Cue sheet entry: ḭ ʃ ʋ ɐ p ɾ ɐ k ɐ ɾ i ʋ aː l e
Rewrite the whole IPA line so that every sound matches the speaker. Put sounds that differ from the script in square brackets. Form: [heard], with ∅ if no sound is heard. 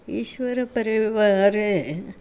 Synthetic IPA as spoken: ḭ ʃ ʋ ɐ [∅] ɾ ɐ [p] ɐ ɾ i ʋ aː [ɾ] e